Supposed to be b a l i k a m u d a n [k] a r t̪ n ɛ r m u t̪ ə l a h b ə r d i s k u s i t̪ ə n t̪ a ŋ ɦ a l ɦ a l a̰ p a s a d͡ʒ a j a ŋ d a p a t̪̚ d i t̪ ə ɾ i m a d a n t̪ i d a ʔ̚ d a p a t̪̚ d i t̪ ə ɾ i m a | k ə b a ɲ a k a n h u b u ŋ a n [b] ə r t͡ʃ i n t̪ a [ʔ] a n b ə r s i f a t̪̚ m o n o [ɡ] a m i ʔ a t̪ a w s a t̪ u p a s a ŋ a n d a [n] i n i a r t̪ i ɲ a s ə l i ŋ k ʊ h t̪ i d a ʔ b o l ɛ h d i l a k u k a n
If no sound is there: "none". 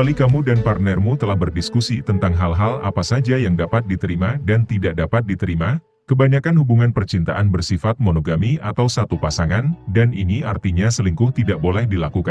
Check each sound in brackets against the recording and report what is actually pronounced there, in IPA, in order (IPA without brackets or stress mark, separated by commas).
p, p, ʔ, ɡ, n